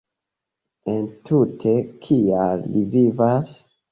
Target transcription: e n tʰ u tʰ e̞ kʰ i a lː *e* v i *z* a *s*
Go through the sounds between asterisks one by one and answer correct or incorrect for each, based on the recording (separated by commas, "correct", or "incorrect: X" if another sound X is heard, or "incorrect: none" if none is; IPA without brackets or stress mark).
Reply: incorrect: i, incorrect: v, correct